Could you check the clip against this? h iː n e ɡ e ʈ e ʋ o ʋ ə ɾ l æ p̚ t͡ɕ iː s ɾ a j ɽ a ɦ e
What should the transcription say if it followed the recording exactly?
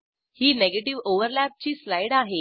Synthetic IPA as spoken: h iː n e ɡ e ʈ i ʋ o ʋ ə ɾ l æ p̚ t͡ɕ iː s l a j ɽ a ɦ e